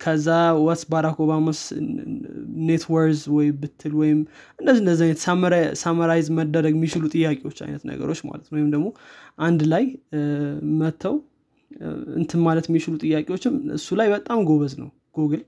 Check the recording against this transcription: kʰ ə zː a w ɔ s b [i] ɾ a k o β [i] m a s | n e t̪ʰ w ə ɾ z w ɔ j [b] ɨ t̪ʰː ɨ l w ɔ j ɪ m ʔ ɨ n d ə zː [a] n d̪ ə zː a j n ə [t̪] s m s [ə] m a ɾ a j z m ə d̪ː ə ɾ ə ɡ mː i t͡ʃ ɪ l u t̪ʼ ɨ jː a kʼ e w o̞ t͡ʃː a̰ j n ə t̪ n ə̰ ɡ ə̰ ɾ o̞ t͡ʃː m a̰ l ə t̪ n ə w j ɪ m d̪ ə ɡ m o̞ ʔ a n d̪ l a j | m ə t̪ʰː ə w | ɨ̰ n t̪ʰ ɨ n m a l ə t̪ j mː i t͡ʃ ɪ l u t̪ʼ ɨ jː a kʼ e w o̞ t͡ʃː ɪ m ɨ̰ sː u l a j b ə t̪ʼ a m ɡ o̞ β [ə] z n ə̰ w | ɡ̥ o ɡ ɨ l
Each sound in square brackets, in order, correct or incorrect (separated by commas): incorrect, incorrect, correct, incorrect, correct, incorrect, correct